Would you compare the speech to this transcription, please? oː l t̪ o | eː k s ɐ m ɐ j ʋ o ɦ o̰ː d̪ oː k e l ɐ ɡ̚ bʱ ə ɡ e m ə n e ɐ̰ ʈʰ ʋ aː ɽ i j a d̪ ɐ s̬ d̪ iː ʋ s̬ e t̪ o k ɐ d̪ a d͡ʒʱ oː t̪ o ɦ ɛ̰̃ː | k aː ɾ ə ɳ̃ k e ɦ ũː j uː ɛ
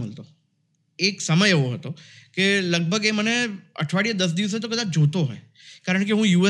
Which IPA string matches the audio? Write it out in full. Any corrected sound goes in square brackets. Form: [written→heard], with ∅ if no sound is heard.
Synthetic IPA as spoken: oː l t̪ o | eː k s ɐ m [ɐ→ə] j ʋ o ɦ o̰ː [d̪→t̪] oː k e l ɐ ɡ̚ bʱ ə ɡ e m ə n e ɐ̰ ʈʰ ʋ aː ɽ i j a d̪ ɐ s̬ d̪ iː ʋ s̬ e t̪ o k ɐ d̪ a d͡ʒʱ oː t̪ o ɦ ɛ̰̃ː | k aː ɾ ə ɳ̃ k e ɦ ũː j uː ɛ